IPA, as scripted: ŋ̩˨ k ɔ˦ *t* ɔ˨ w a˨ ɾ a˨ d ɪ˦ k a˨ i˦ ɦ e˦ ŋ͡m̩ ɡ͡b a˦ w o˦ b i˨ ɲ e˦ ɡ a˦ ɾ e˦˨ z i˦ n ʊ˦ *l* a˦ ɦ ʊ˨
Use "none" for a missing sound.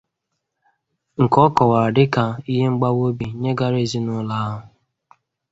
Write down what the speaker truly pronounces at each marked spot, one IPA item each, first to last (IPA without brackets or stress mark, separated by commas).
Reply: k, l